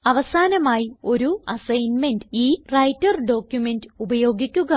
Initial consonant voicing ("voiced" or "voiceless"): voiced